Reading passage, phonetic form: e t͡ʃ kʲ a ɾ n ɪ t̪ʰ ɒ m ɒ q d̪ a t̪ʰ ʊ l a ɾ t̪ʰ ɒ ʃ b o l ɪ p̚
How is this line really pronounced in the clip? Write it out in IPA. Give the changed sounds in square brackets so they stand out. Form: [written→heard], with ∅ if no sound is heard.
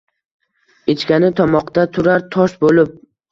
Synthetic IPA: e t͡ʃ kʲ a [ɾ→∅] n ɪ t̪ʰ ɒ m ɒ q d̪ a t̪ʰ ʊ [l→ɾ] a ɾ t̪ʰ ɒ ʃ b o l ɪ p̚